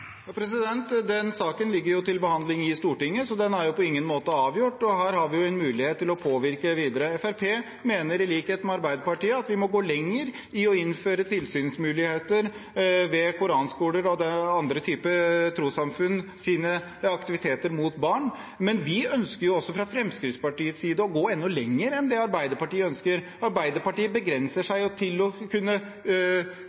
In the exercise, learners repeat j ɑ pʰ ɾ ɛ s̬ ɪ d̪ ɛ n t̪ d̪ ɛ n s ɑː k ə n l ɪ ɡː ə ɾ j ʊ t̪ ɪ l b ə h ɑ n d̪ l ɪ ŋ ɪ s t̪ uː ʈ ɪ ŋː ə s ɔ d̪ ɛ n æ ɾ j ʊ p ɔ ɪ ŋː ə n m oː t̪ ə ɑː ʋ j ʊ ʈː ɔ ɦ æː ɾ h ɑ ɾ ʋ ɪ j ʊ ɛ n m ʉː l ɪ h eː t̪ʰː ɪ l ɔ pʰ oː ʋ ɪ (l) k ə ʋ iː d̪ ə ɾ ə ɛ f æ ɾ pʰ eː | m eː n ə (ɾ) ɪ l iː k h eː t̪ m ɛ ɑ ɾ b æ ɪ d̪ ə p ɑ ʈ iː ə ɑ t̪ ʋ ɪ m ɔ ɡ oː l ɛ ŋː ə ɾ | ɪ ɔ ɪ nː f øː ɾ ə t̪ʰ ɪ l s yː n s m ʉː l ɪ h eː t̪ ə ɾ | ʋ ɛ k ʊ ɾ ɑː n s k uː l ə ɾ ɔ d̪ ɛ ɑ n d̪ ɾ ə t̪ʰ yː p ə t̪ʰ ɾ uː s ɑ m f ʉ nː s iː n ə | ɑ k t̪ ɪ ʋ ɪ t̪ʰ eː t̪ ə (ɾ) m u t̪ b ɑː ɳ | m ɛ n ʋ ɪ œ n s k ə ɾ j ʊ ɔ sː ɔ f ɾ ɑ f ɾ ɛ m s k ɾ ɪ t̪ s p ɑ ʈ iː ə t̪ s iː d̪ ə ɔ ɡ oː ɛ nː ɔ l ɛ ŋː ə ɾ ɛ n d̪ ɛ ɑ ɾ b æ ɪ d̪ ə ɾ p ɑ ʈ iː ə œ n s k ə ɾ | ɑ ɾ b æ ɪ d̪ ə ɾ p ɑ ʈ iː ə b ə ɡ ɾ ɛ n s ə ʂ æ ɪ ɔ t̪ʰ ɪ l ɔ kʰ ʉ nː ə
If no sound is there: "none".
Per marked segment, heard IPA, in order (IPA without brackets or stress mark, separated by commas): ɾ, ɾ, ɾ